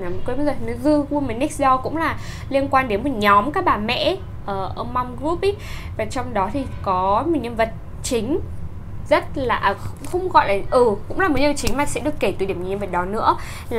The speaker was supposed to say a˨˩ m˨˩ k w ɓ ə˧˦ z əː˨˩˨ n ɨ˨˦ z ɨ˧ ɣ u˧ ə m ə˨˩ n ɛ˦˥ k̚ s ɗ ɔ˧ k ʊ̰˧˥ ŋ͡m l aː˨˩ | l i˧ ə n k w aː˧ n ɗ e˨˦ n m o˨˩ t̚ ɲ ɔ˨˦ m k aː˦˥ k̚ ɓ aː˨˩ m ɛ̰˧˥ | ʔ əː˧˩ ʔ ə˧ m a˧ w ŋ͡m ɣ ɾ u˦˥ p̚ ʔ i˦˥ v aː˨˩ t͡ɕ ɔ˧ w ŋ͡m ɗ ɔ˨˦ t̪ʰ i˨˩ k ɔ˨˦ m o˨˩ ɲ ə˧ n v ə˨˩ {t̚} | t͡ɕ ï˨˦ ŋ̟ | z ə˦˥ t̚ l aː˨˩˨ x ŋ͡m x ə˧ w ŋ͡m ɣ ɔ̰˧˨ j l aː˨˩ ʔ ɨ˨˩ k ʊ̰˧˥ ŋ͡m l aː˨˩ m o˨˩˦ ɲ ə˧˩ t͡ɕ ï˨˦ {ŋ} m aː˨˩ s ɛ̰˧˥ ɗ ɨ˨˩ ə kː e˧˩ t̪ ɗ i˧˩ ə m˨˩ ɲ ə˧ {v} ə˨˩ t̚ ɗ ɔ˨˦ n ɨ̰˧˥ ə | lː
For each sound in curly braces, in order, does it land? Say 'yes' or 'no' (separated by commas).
yes, yes, yes